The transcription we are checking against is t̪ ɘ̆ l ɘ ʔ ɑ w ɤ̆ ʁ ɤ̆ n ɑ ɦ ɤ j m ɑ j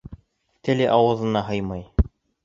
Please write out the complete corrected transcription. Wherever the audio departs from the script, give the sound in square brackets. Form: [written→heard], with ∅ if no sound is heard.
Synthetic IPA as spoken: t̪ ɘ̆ l ɘ ʔ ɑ w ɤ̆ [ʁ→ð] ɤ̆ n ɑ ɦ ɤ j m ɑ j